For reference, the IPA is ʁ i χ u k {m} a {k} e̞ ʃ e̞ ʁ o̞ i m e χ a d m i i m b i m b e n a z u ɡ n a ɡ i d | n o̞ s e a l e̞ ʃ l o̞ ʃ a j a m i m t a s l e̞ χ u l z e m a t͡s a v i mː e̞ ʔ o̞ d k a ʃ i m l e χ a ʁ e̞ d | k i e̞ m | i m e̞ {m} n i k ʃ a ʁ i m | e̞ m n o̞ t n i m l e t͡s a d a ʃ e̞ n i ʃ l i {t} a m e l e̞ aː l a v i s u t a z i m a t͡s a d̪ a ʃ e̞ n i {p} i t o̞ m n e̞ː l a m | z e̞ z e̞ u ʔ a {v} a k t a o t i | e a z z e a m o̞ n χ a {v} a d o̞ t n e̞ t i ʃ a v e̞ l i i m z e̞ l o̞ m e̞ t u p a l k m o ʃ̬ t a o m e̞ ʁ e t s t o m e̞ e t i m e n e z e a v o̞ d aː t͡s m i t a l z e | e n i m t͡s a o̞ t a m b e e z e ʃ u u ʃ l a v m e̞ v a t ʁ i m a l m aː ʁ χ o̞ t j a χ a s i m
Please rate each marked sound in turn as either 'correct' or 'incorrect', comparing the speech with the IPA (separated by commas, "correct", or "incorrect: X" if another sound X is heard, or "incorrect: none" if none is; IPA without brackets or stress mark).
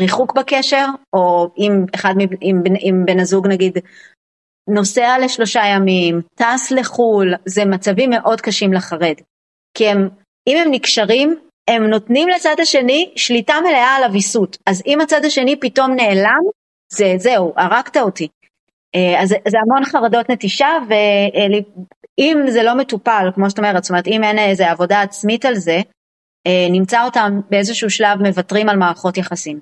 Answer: incorrect: b, correct, correct, correct, correct, incorrect: ʁ, incorrect: ʁ